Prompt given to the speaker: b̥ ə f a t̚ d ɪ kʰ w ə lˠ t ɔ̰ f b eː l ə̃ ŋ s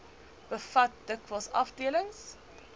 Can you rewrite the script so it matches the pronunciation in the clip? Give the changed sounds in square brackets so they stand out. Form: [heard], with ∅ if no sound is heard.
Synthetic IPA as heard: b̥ ə f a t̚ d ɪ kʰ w ə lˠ [s] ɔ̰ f [d] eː l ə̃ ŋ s